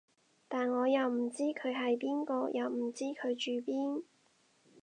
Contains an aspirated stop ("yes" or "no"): yes